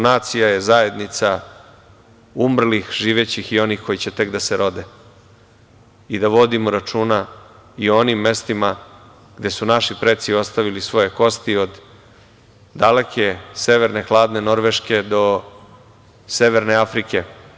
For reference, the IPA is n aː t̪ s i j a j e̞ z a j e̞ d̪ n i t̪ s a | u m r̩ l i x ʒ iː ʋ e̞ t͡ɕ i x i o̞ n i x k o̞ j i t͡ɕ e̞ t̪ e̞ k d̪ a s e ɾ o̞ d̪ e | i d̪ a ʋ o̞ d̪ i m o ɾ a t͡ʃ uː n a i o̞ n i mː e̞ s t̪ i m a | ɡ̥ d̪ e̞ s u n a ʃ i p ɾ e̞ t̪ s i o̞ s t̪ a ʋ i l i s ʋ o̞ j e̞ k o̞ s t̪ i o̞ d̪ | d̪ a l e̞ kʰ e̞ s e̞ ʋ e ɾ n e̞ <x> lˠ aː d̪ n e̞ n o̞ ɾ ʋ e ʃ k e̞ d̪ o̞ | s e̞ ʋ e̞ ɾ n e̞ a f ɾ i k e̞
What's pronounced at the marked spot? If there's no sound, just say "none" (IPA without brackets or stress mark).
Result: x